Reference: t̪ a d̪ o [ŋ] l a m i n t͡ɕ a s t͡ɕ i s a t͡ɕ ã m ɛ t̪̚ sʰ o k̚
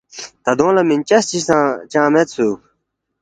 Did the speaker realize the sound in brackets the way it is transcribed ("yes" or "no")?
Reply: yes